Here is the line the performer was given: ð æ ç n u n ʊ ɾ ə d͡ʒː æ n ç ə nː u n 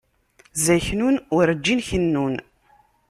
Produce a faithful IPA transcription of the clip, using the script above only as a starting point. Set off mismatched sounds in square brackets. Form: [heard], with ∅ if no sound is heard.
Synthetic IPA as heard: [z] æ ç n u n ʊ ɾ ə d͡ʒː [i] n ç ə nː u n